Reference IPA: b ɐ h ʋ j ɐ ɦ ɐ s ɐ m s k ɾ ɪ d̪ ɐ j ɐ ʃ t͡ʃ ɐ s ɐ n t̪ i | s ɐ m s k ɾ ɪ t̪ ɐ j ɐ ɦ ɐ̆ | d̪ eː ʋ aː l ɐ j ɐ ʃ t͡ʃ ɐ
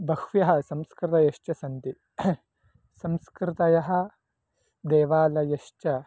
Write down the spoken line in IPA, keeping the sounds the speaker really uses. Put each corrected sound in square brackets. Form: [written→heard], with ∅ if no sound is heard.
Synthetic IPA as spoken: b ɐ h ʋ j ɐ ɦ ɐ s ɐ m s k ɾ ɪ [d̪→t̪] ɐ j ɐ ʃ t͡ʃ ɐ s ɐ n t̪ i | s ɐ m s k ɾ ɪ t̪ ɐ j ɐ ɦ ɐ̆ | d̪ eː ʋ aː l ɐ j ɐ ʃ t͡ʃ ɐ

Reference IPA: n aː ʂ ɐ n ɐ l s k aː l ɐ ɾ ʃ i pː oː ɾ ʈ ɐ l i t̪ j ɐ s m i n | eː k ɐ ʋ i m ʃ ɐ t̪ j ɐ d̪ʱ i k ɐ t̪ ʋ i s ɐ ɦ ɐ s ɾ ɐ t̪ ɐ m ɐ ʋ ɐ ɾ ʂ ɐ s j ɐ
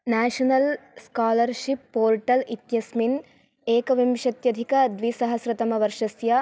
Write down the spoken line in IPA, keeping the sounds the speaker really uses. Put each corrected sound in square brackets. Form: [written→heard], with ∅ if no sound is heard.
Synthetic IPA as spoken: n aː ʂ ɐ n ɐ l s k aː l ɐ ɾ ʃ i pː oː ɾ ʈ ɐ l i t̪ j ɐ s m i n | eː k ɐ ʋ i m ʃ ɐ t̪ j ɐ d̪ʱ i k ɐ [t̪→d̪] ʋ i s ɐ ɦ ɐ s ɾ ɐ t̪ ɐ m ɐ ʋ ɐ ɾ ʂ ɐ s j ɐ

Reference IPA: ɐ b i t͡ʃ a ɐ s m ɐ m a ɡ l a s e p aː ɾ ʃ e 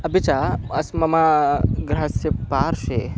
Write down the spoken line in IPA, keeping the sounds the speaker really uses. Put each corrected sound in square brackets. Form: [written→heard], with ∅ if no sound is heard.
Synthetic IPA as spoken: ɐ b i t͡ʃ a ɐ s m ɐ m a ɡ [l→ɾ] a s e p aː ɾ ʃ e

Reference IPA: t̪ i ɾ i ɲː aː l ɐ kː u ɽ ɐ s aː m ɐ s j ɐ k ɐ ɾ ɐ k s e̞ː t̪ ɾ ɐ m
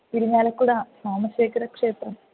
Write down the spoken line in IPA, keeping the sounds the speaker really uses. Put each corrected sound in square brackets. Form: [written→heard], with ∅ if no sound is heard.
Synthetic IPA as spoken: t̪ i ɾ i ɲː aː l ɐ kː u ɽ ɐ s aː m ɐ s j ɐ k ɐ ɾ ɐ k [s→ʂ] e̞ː t̪ [ɾ→r] ɐ m

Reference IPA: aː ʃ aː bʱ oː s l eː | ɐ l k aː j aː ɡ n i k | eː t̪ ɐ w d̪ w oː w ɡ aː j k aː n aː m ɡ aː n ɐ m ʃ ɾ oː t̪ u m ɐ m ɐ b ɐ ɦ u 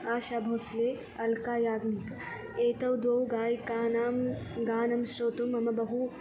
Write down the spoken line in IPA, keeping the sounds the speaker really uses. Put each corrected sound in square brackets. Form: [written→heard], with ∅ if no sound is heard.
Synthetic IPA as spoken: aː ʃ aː bʱ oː s l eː | ɐ l k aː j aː ɡ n i k | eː t̪ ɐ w d̪ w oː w ɡ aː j k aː n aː m ɡ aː n ɐ m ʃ ɾ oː t̪ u m ɐ m ɐ b ɐ ɦ u

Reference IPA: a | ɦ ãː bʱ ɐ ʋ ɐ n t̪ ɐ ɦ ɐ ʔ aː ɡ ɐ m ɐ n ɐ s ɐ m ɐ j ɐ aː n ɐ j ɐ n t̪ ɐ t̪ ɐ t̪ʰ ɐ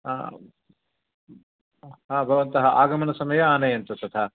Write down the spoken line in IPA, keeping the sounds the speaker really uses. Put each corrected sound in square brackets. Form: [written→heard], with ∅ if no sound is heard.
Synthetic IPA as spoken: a | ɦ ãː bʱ ɐ ʋ ɐ n t̪ ɐ ɦ ɐ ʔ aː ɡ ɐ m ɐ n ɐ s ɐ m ɐ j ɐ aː n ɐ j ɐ n t̪ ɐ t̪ ɐ t̪ʰ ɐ

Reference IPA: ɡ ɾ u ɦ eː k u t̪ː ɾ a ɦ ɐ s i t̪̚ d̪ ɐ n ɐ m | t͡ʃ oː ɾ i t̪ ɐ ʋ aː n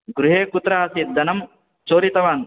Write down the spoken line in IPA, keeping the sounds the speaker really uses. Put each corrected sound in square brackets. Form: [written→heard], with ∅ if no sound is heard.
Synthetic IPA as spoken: ɡ ɾ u ɦ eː k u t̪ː ɾ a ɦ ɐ s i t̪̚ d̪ ɐ n ɐ m | t͡ʃ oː ɾ i t̪ ɐ ʋ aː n

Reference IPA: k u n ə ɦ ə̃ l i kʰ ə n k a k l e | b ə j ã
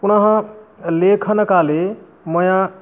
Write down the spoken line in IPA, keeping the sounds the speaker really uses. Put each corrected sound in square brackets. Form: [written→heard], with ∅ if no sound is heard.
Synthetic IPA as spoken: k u n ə ɦ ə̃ l [i→e] kʰ ə n k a [k→∅] l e | [b→m] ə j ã

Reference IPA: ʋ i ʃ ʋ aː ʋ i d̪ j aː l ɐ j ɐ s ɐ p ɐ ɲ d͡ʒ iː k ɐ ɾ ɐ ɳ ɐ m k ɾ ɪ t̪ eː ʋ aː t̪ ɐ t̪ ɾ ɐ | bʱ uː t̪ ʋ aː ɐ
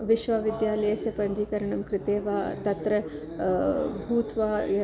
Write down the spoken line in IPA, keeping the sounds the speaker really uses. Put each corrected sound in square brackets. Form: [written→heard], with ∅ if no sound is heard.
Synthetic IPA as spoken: ʋ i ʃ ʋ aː ʋ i d̪ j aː l ɐ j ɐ s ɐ p ɐ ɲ d͡ʒ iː k ɐ ɾ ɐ ɳ ɐ m k ɾ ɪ t̪ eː ʋ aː t̪ ɐ t̪ ɾ ɐ | bʱ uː t̪ ʋ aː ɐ

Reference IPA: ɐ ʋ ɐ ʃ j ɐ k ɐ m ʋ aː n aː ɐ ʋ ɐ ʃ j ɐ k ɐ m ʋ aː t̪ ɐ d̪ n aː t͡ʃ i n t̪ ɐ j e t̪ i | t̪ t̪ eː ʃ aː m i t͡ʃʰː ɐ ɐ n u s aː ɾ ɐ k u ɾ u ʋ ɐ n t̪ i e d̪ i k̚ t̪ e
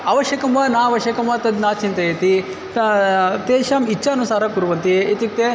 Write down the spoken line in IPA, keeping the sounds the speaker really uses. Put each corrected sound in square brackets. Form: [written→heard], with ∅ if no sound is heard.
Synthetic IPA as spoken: ɐ ʋ ɐ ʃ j ɐ k ɐ m ʋ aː n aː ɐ ʋ ɐ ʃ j ɐ k ɐ m ʋ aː t̪ ɐ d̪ n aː t͡ʃ i n t̪ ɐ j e t̪ i | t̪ t̪ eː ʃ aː m i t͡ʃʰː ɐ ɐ n u s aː ɾ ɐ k u ɾ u ʋ ɐ n t̪ i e [d̪→t̪] i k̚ t̪ e

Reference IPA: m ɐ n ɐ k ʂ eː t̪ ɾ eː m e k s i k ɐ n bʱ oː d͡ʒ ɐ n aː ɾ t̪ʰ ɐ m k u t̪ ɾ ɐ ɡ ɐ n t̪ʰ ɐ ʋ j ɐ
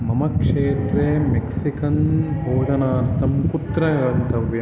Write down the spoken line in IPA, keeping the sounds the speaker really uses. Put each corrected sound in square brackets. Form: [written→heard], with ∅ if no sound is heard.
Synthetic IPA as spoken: m ɐ [n→m] ɐ k ʂ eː t̪ ɾ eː m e k s i k ɐ n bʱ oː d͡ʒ ɐ n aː ɾ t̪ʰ ɐ m k u t̪ ɾ ɐ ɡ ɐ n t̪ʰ ɐ ʋ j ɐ

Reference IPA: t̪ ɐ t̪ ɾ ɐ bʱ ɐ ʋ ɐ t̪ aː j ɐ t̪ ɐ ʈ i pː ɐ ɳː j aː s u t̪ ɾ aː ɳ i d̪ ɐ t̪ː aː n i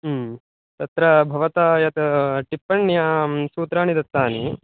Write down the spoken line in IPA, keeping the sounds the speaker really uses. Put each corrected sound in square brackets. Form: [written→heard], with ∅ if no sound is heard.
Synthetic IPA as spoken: t̪ ɐ t̪ ɾ ɐ bʱ ɐ ʋ ɐ t̪ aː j ɐ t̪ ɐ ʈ i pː ɐ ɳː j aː s [u→uː] t̪ ɾ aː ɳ i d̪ ɐ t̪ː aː n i

